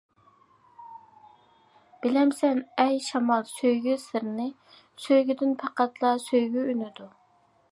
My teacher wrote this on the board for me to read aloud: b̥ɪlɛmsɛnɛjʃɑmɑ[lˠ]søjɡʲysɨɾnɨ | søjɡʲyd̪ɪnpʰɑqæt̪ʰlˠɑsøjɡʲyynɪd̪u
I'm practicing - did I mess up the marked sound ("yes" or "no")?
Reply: no